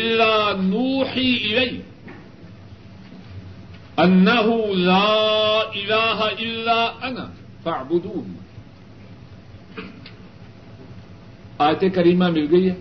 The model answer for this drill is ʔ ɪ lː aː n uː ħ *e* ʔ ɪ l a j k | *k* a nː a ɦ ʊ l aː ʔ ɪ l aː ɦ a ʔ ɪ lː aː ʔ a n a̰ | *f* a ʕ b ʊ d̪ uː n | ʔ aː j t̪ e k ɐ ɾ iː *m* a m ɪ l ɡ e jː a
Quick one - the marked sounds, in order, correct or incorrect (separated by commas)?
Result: incorrect, incorrect, correct, correct